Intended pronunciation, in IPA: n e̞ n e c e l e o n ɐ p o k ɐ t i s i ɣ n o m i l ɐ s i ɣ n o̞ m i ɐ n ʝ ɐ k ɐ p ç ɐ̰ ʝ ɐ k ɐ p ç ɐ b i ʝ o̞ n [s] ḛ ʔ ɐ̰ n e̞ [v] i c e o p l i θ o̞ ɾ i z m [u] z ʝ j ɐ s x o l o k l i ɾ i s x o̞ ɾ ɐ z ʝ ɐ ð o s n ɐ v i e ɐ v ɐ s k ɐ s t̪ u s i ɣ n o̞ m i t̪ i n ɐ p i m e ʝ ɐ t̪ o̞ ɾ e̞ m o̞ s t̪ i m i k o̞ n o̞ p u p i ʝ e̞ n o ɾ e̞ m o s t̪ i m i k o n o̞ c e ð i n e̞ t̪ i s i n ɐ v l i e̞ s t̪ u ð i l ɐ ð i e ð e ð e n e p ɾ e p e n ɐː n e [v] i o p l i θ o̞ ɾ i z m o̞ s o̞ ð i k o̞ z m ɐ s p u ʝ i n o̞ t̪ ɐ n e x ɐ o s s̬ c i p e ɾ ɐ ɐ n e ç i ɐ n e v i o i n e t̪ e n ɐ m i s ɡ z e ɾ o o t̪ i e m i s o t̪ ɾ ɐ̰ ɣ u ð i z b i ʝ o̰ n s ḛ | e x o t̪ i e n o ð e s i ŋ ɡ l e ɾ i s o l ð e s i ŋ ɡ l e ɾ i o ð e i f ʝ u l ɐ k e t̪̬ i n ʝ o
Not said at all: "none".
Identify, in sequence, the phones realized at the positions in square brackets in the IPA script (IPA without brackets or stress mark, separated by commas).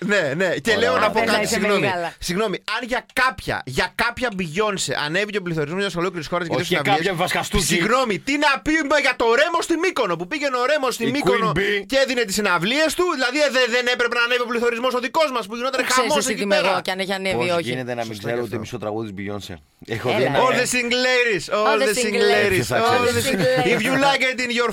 s, v, o, v